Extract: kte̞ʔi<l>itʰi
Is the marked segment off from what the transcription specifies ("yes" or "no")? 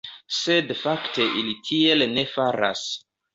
no